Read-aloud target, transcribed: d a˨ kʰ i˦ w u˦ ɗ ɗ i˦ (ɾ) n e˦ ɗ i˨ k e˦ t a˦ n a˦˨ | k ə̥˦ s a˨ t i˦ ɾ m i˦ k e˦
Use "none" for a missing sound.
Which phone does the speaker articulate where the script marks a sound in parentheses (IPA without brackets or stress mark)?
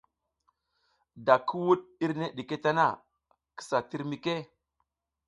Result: ɾ